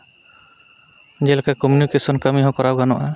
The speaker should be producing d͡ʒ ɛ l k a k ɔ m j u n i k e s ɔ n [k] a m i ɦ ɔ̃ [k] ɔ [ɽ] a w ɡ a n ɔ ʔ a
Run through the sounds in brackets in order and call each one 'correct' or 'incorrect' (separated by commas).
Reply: correct, correct, incorrect